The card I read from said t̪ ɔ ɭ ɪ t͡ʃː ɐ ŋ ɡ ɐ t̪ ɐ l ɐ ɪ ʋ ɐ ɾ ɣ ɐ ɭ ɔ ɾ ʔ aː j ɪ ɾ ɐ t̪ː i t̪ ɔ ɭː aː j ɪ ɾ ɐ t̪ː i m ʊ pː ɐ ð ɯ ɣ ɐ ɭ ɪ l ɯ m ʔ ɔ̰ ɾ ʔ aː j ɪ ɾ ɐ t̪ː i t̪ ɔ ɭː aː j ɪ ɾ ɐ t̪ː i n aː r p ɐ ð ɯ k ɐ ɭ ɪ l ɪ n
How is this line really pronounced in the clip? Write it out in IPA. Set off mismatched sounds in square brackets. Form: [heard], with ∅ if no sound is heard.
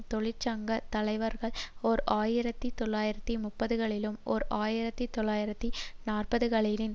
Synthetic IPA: t̪ ɔ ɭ ɪ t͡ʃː ɐ ŋ ɡ ɐ t̪ ɐ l ɐ ɪ ʋ ɐ ɾ ɣ ɐ ɭ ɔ ɾ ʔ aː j ɪ ɾ ɐ t̪ː i t̪ ɔ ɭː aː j ɪ ɾ ɐ t̪ː i m ʊ pː ɐ ð ɯ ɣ ɐ ɭ ɪ l ɯ m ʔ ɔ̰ ɾ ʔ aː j ɪ ɾ ɐ t̪ː i t̪ ɔ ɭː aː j ɪ ɾ ɐ t̪ː i n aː r p ɐ ð ɯ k ɐ ɭ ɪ l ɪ n